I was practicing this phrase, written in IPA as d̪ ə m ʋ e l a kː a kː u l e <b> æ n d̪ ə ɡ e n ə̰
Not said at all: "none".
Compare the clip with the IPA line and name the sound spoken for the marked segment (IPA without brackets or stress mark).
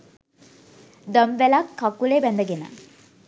b